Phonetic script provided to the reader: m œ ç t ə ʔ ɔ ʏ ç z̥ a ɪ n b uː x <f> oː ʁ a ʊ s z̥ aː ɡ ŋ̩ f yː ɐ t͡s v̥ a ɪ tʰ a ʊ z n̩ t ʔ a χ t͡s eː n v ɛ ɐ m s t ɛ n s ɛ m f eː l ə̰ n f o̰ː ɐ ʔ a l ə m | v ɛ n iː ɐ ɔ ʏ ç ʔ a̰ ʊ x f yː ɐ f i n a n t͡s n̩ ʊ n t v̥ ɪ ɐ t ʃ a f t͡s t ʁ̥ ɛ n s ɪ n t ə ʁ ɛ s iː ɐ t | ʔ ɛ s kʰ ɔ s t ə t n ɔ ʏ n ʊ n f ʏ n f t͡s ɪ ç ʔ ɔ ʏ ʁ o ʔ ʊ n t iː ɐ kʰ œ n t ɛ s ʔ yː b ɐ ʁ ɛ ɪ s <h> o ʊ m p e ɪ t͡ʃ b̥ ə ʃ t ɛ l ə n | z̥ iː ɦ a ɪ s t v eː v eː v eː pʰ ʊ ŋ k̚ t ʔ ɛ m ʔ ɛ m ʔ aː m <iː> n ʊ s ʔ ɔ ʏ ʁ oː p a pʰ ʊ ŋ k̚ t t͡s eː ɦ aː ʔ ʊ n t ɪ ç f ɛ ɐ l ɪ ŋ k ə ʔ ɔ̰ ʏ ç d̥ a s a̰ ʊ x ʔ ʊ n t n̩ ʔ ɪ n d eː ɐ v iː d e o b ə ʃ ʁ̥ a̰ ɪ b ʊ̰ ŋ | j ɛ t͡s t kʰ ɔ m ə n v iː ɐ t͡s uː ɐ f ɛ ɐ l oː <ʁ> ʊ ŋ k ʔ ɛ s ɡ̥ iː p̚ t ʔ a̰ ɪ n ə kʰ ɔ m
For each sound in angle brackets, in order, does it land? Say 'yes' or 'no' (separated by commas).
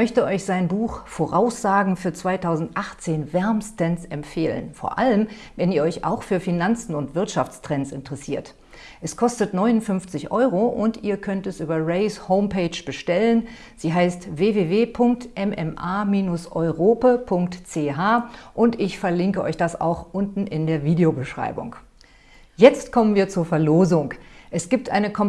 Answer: yes, yes, yes, no